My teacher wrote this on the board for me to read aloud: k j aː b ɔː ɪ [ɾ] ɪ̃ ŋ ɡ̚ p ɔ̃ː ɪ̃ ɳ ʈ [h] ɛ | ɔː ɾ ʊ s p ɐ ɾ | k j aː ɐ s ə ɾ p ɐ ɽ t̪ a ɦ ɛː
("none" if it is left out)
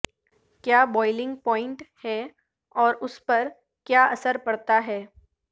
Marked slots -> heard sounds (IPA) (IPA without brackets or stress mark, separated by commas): l, h